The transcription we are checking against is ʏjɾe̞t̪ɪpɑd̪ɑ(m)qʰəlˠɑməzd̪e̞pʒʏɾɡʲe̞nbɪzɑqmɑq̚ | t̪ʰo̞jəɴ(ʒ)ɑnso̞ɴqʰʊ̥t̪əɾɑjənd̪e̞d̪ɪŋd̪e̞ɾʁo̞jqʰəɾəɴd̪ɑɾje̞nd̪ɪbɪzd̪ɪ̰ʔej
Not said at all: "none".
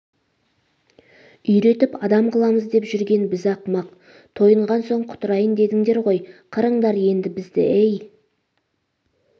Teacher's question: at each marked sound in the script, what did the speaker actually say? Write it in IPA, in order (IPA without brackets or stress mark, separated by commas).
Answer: m, ʁ